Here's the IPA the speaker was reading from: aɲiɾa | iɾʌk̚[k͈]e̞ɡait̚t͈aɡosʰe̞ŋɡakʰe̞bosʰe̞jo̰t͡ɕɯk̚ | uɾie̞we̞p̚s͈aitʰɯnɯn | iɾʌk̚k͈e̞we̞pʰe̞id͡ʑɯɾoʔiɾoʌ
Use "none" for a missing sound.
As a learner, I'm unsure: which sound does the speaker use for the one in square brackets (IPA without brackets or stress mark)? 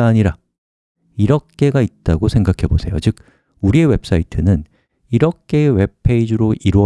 k͈